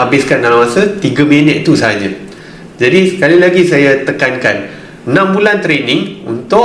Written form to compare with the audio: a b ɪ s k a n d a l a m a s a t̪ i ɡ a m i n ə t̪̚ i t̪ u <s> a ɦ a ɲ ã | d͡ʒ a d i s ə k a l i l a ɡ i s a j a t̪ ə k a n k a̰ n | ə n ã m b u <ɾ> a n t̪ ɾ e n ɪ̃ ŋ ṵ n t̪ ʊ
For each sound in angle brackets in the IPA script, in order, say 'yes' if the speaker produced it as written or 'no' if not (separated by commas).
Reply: yes, no